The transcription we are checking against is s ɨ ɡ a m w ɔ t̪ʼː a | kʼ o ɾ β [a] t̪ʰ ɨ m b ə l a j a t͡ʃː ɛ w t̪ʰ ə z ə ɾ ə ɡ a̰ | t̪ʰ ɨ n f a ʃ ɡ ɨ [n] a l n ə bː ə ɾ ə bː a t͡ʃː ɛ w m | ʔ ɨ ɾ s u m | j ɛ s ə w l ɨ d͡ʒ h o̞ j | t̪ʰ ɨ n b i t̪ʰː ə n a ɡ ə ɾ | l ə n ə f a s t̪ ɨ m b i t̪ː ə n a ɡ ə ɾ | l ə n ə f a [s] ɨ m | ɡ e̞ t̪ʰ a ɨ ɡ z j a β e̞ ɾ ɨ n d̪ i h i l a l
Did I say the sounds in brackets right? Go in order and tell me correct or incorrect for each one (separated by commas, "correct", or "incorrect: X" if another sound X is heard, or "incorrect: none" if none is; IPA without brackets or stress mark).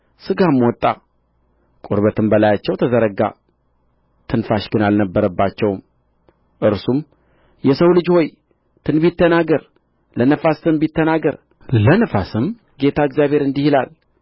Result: incorrect: ə, correct, correct